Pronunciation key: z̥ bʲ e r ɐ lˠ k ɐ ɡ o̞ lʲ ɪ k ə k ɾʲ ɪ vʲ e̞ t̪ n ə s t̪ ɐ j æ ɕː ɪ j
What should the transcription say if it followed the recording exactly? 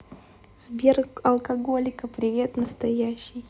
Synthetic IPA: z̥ bʲ e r ɐ lˠ k ɐ ɡ o̞ lʲ ɪ k ə p ɾʲ ɪ vʲ e̞ t̪ n ə s t̪ ɐ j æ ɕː ɪ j

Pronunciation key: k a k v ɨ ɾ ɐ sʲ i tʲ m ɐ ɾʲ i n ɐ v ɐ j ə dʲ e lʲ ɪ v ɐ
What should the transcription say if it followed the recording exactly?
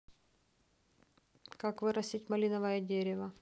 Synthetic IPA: k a k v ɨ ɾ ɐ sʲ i tʲ m ɐ lʲ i n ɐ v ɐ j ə dʲ e ɾʲ ɪ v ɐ

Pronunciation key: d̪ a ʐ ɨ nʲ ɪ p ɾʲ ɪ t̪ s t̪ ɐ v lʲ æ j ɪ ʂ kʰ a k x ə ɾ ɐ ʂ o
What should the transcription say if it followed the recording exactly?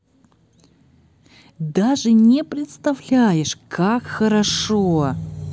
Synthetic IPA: d̪ a ʐ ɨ nʲ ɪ p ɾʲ ɪ t̪ s t̪ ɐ v lʲ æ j ɪ ʂ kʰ a k x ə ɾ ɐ ʂ o

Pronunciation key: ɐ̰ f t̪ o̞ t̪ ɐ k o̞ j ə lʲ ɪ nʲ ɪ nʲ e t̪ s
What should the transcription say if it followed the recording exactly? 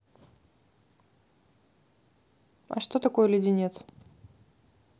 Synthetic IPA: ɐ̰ ʂ t̪ o̞ t̪ ɐ k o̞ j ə lʲ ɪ dʲ ɪ nʲ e t̪ s

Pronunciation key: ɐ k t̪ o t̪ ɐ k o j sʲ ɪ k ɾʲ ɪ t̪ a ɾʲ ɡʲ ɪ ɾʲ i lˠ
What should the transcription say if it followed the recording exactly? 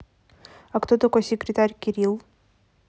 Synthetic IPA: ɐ k t̪ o t̪ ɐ k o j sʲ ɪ k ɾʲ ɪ t̪ a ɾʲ kʲ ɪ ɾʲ i lˠ

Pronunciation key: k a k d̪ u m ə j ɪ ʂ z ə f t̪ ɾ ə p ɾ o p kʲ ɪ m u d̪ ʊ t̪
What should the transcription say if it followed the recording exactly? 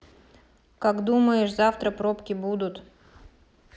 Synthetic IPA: k a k d̪ u m ə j ɪ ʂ z a f t̪ ɾ ə p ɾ o p kʲ ɪ b u d̪ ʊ t̪

